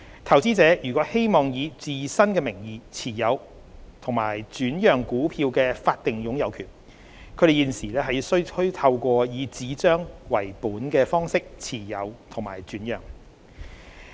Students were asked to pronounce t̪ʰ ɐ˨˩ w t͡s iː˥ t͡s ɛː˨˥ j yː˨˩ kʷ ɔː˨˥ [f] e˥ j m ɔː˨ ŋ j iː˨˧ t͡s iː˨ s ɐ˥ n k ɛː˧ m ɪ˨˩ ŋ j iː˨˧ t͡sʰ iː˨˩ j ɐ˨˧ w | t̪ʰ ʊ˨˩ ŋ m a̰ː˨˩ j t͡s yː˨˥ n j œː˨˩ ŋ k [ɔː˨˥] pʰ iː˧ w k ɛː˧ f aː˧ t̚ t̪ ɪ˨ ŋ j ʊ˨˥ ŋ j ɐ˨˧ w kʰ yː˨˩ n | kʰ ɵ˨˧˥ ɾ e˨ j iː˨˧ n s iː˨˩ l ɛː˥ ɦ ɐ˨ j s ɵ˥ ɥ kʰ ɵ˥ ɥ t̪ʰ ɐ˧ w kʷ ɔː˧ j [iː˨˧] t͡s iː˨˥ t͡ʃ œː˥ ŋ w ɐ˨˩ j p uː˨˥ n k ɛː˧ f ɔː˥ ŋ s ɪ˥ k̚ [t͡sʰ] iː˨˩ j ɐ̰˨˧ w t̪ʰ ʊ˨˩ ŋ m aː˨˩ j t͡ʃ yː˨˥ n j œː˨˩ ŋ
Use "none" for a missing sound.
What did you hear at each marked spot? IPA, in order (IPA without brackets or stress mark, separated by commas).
h, uː˨˥, iː˨˧, t͡sʰ